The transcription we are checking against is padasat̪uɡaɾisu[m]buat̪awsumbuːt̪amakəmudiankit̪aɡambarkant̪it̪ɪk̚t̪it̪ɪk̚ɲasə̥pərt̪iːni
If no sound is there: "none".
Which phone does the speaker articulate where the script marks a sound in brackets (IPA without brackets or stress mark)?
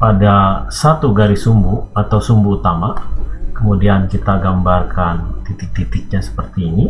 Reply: m